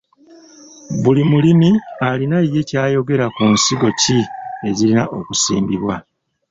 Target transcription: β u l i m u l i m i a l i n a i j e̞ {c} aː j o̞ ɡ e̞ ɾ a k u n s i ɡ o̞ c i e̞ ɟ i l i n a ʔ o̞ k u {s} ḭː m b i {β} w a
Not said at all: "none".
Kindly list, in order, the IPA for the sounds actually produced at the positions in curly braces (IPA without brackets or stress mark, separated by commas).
c, s, β